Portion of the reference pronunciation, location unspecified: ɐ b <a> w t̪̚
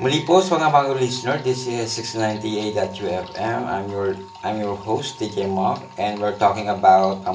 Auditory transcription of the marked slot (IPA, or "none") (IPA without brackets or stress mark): a